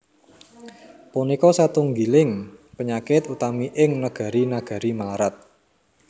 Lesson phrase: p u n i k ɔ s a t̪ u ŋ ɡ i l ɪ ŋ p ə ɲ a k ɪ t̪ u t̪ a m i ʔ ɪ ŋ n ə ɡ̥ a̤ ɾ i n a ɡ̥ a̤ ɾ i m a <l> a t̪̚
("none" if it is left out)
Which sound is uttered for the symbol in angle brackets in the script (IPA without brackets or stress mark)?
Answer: ɾ